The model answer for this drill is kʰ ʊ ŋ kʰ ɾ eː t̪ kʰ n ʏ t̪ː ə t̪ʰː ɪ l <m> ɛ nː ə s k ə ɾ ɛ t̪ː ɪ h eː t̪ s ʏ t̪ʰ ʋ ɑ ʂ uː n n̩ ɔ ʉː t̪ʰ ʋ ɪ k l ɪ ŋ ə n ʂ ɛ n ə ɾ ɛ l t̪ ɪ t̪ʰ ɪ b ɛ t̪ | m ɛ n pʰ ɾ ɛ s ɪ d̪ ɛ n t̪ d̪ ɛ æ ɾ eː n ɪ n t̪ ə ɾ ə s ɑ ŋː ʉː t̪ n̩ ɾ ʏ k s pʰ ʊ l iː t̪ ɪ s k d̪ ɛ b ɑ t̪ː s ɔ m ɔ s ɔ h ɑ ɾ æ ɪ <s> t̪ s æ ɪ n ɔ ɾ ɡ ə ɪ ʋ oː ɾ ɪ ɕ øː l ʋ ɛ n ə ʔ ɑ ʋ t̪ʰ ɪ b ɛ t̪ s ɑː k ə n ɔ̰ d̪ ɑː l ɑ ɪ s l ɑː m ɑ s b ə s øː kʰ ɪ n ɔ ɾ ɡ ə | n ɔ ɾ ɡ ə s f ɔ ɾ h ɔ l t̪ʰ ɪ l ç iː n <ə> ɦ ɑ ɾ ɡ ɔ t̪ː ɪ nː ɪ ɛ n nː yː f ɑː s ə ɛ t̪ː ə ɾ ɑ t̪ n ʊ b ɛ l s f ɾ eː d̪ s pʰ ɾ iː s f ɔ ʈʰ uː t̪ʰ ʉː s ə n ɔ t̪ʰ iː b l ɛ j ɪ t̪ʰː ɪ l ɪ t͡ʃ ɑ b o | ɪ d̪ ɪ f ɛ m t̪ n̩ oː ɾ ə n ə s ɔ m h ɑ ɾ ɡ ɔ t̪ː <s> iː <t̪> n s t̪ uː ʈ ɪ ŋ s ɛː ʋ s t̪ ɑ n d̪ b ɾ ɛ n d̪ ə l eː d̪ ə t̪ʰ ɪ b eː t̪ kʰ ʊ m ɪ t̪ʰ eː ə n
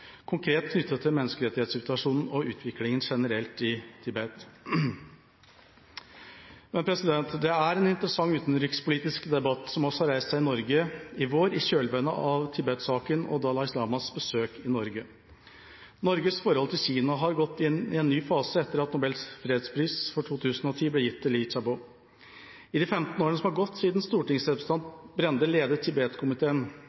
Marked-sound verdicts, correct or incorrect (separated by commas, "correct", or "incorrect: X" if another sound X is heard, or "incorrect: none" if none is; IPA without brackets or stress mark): correct, correct, incorrect: ɑ, correct, incorrect: d̪